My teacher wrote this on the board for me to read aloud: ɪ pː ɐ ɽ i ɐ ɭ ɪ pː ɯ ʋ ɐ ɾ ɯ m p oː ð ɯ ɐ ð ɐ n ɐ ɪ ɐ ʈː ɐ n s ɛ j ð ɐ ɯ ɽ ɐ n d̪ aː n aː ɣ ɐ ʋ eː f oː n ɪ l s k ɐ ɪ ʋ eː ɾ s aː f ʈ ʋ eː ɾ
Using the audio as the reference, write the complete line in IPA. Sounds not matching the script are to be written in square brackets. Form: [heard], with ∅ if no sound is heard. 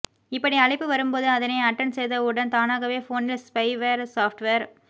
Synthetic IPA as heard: ɪ pː ɐ ɽ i ɐ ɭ ɪ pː ɯ ʋ ɐ ɾ ɯ m p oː ð ɯ ɐ ð ɐ n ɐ ɪ ɐ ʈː ɐ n s ɛ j ð ɐ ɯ ɽ ɐ n [t̪] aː n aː ɣ ɐ ʋ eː f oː n ɪ l s [p] ɐ ɪ ʋ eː ɾ s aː f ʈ ʋ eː ɾ

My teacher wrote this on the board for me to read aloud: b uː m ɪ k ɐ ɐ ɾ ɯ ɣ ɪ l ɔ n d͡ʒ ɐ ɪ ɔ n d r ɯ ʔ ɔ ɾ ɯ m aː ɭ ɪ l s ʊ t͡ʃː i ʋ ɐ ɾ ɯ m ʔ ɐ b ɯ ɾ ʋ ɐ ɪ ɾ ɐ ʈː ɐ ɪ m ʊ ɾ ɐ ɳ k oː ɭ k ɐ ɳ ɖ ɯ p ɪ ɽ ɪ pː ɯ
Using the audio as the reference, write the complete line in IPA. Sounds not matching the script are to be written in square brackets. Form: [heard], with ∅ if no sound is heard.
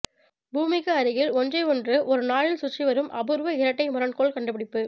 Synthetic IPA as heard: b uː m ɪ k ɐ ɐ ɾ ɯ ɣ ɪ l ɔ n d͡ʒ ɐ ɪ ɔ n d r ɯ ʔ ɔ ɾ ɯ [n] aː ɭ ɪ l s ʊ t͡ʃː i ʋ ɐ ɾ ɯ m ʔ ɐ b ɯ ɾ ʋ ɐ ɪ ɾ ɐ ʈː ɐ ɪ m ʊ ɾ ɐ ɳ k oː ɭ k ɐ ɳ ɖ ɯ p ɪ ɽ ɪ pː ɯ

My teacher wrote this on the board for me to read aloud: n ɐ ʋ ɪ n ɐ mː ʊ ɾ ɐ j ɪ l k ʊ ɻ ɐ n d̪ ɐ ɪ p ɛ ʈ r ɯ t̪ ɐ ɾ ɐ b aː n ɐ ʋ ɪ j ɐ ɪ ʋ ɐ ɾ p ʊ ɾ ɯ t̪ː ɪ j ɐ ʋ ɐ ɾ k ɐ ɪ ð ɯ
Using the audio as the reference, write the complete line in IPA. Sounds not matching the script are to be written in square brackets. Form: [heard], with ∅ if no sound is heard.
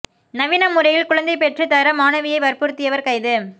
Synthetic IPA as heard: n ɐ ʋ ɪ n ɐ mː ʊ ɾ ɐ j ɪ l k ʊ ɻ ɐ n d̪ ɐ ɪ p ɛ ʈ r ɯ t̪ ɐ ɾ ɐ [m] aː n ɐ ʋ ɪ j ɐ ɪ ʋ ɐ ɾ p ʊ ɾ ɯ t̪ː ɪ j ɐ ʋ ɐ ɾ k ɐ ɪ ð ɯ

